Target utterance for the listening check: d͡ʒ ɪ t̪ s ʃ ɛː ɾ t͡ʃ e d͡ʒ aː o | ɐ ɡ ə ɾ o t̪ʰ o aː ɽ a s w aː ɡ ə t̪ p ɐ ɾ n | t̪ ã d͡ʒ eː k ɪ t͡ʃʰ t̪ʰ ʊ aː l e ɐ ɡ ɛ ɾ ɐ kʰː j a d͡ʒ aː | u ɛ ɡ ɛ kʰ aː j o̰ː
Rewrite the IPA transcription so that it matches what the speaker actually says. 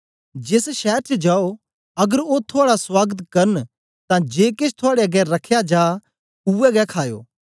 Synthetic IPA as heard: d͡ʒ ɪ s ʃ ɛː ɾ t͡ʃ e d͡ʒ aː o | ɐ ɡ ə ɾ o t̪ʰ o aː ɽ a s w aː ɡ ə t̪ k ɐ ɾ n | t̪ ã d͡ʒ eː k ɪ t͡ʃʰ t̪ʰ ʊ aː ɽ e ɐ ɡ ɛ ɾ ɐ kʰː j a d͡ʒ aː | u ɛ ɡ ɛ kʰ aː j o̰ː